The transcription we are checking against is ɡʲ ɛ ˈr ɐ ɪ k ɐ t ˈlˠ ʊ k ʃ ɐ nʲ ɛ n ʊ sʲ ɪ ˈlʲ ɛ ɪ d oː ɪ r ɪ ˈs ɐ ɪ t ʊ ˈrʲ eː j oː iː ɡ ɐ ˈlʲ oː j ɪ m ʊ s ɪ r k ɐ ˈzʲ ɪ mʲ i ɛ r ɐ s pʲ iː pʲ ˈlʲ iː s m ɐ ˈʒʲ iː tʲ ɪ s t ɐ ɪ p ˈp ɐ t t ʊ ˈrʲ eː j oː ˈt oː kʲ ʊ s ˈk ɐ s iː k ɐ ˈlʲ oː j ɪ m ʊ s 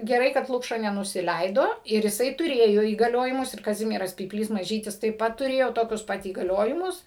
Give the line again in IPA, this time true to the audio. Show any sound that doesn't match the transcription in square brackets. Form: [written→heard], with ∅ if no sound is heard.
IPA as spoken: ɡʲ ɛ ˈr ɐ ɪ k ɐ t ˈlˠ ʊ k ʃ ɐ nʲ ɛ n ʊ sʲ ɪ ˈlʲ ɛ ɪ d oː ɪ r ɪ ˈs ɐ ɪ t ʊ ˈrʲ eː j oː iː ɡ ɐ ˈlʲ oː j ɪ m ʊ s ɪ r k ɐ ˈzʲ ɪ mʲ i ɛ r ɐ s pʲ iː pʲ ˈlʲ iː s m ɐ ˈʒʲ iː tʲ ɪ s t ɐ ɪ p ˈp ɐ t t ʊ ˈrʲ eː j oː ˈt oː kʲ ʊ s [ˈk→ˈp] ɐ [s→t] iː [k→ɡ] ɐ ˈlʲ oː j ɪ m ʊ s